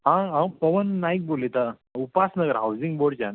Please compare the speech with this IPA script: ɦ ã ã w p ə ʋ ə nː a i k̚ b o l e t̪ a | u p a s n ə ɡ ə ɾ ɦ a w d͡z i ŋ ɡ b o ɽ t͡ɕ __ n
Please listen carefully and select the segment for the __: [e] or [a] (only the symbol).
a